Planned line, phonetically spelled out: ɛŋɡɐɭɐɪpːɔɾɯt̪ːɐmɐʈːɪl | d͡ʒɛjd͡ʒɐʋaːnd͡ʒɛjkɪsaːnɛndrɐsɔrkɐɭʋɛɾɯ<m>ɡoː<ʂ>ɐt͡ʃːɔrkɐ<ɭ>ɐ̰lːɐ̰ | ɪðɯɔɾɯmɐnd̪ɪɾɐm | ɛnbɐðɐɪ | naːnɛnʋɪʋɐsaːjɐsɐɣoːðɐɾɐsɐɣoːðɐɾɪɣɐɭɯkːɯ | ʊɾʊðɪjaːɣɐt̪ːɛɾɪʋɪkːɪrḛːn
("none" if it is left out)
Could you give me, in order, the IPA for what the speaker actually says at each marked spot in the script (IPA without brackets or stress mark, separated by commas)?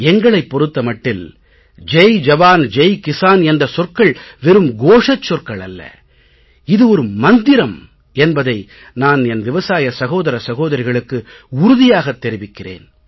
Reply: m, ʂ, ɭ